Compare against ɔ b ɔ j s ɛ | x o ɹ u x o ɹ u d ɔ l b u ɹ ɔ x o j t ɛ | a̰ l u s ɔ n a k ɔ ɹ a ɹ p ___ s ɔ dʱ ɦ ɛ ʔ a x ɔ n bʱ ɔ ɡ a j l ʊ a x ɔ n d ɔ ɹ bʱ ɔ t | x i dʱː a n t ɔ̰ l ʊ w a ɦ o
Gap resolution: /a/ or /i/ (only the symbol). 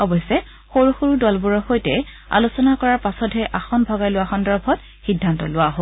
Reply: a